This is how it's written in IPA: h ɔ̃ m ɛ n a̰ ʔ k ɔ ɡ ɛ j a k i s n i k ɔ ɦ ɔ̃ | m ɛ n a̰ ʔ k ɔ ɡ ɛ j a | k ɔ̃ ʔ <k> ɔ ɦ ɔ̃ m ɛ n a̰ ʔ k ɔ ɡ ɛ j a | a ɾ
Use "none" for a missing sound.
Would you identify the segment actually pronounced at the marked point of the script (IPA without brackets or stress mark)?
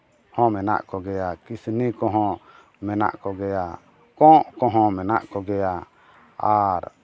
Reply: k